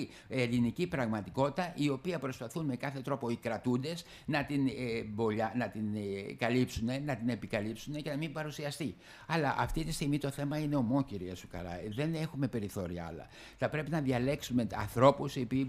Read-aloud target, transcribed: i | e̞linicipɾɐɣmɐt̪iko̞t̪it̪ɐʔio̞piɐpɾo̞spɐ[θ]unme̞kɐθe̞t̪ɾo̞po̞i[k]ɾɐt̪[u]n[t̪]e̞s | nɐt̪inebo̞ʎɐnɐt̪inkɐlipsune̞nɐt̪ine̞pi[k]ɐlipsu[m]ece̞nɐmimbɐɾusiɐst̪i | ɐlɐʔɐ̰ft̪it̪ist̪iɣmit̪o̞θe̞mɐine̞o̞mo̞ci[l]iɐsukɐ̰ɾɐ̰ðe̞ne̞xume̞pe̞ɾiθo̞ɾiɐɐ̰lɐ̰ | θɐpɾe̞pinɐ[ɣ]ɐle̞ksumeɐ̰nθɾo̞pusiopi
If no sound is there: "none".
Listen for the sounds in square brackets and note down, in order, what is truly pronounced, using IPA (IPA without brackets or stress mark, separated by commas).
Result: θ, k, u, d̪, k, n, ɾ, ð